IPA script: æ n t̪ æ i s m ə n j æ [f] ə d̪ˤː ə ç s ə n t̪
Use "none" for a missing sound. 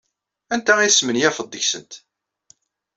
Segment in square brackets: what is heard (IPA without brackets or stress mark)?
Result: f